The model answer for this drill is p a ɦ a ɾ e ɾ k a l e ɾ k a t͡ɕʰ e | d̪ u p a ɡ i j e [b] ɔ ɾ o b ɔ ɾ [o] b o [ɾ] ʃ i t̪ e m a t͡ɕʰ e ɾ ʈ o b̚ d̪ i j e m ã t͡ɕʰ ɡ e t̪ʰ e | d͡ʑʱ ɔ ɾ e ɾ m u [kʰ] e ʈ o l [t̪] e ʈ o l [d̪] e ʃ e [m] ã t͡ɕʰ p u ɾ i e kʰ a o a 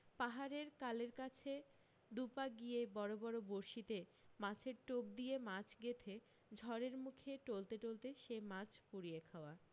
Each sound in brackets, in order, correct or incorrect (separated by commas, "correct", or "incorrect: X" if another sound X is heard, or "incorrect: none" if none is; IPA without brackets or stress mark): correct, correct, correct, correct, correct, incorrect: t̪, correct